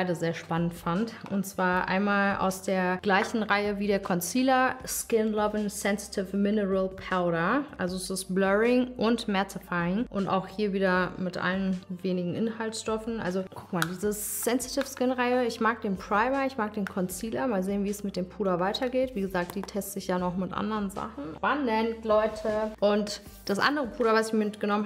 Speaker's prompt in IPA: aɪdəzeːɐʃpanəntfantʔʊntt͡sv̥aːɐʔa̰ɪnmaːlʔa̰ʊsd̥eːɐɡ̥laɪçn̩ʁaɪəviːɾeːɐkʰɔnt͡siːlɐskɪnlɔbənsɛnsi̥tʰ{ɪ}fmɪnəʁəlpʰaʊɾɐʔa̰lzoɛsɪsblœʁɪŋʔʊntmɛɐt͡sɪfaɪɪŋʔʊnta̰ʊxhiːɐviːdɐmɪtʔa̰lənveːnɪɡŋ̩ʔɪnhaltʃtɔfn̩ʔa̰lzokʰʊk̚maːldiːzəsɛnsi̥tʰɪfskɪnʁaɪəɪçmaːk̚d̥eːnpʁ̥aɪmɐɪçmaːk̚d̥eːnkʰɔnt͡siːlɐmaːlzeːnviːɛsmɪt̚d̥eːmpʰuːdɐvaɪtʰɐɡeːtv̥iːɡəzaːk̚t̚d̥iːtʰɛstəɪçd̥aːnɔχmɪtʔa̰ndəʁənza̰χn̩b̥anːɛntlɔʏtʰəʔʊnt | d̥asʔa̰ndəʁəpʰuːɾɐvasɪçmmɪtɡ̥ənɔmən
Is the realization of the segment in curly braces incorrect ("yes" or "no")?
no